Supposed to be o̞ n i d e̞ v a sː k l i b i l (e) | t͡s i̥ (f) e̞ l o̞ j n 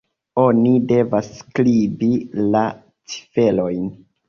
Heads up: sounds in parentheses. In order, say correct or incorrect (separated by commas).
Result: incorrect, correct